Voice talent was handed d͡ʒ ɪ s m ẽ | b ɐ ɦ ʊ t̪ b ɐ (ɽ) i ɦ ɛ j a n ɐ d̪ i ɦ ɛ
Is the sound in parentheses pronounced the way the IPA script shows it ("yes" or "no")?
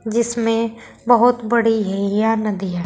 yes